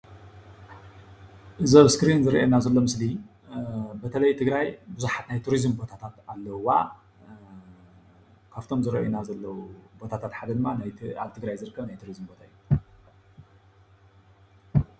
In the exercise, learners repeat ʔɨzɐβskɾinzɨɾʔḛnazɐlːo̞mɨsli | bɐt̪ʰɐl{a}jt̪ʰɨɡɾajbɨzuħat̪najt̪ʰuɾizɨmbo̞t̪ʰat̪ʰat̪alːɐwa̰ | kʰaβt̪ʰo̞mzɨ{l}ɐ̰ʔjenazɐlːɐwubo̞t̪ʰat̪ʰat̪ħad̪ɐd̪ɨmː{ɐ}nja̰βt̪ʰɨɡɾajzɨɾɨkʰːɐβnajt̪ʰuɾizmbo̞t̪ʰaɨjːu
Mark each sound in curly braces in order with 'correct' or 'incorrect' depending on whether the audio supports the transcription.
incorrect: ɐ, incorrect: ɾ, incorrect: a

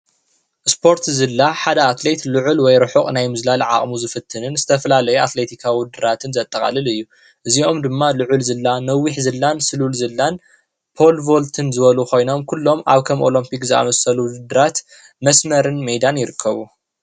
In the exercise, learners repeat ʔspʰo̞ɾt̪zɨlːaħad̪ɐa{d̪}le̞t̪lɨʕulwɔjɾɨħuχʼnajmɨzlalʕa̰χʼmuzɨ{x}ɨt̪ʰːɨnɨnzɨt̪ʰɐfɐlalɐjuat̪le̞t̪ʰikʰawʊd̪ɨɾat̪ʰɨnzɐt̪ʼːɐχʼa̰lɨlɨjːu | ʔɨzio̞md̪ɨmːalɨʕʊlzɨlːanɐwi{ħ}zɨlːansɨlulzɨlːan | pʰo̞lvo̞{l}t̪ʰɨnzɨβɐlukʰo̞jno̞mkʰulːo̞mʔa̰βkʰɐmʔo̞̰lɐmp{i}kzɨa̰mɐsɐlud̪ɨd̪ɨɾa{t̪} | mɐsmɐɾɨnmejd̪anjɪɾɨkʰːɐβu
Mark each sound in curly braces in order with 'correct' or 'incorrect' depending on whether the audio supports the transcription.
incorrect: t̪, incorrect: f, correct, correct, correct, correct

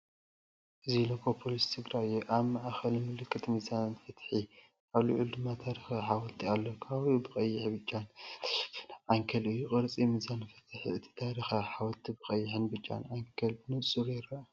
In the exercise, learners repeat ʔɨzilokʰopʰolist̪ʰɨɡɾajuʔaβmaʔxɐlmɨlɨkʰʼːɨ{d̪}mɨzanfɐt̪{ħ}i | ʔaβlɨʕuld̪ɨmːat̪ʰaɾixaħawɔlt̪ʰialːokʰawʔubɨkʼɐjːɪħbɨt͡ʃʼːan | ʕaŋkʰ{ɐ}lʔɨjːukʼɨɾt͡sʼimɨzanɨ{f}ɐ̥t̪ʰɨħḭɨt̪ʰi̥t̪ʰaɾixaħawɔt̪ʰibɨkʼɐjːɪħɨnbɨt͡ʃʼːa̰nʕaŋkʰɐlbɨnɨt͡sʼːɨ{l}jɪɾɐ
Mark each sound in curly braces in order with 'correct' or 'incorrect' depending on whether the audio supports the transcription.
incorrect: t̪, correct, correct, correct, incorrect: ɾ

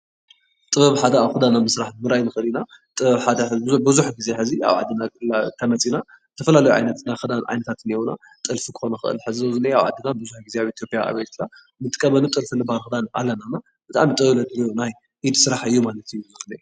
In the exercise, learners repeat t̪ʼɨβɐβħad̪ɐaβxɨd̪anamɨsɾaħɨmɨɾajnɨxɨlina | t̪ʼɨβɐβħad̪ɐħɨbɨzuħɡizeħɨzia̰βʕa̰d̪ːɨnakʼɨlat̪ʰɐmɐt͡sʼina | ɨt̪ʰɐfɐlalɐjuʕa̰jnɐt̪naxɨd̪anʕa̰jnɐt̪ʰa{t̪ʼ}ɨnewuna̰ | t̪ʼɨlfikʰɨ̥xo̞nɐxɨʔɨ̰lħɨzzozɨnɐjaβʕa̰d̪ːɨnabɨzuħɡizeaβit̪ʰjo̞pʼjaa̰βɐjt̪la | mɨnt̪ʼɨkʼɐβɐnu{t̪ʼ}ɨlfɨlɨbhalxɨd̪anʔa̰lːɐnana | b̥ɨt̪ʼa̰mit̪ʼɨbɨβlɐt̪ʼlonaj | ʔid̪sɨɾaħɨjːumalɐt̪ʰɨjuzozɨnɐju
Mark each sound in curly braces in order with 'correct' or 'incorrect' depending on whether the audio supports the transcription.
incorrect: t̪, correct

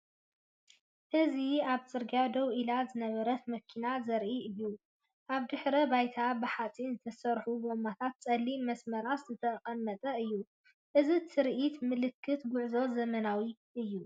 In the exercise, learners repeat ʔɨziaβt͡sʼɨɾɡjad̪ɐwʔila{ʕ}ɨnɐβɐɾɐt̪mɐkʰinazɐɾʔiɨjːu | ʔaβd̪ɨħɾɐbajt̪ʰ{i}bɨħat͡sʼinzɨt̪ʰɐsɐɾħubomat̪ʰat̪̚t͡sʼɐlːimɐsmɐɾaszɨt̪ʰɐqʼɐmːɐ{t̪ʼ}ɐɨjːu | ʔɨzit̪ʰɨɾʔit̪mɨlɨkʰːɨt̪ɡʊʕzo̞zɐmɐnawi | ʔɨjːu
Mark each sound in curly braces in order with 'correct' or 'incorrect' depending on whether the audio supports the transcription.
incorrect: z, incorrect: a, correct

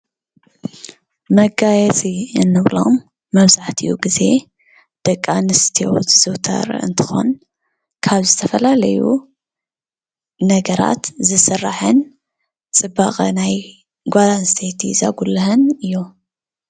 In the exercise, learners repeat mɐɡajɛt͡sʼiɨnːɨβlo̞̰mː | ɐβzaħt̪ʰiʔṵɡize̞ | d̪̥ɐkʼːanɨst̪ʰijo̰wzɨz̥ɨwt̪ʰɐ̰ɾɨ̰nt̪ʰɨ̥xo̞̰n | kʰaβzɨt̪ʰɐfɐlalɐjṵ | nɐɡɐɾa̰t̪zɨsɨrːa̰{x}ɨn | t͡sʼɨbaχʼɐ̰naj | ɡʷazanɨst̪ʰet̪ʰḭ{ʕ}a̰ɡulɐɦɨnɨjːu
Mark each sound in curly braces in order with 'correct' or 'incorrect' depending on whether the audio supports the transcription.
incorrect: ħ, incorrect: z

